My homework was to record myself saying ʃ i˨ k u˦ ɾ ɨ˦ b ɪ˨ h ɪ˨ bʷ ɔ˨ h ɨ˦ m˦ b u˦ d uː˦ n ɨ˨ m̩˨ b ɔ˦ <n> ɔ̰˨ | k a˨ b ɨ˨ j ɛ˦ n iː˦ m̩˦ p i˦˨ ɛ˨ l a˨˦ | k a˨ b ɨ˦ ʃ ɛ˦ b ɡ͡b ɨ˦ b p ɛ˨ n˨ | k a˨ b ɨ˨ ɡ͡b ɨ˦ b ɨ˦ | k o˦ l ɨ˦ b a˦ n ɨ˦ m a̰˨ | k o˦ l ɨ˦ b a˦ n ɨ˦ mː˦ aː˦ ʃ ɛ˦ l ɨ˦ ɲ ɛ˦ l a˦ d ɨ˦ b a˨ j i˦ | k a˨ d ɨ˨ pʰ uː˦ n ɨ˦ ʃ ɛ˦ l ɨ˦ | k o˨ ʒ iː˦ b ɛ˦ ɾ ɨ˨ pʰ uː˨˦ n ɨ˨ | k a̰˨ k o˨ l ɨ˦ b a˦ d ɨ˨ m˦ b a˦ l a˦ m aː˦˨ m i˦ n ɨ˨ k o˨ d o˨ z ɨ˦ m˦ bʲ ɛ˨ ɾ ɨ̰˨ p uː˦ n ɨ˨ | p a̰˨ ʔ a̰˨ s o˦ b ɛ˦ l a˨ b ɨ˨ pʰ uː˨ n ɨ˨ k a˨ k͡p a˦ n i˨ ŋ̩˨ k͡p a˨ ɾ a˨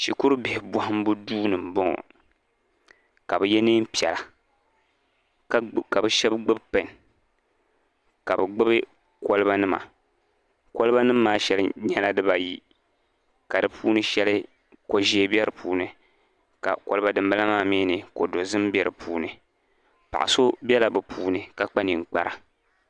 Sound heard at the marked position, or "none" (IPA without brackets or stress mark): ŋ